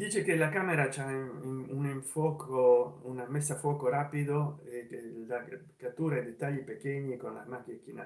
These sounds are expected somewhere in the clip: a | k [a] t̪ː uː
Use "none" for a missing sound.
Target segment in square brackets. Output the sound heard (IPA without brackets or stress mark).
a